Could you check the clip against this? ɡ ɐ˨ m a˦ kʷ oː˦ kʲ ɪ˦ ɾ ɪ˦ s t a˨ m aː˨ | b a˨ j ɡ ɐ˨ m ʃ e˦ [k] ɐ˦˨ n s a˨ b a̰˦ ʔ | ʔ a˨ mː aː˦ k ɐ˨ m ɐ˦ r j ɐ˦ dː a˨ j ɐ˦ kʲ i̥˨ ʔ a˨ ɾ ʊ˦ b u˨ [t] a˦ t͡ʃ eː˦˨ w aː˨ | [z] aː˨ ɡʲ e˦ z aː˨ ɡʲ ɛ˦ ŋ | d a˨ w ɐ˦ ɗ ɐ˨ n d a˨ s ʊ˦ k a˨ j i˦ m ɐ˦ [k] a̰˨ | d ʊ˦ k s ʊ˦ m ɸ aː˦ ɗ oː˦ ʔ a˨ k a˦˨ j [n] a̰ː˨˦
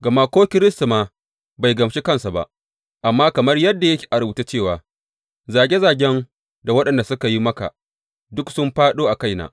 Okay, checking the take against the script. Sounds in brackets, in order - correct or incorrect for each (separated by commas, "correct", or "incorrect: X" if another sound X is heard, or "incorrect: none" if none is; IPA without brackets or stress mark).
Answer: correct, correct, correct, correct, correct